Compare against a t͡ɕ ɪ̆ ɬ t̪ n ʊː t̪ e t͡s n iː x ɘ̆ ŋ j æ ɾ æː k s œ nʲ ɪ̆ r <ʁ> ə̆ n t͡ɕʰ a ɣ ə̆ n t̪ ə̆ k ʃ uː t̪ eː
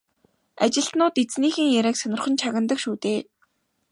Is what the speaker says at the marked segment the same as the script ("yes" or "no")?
no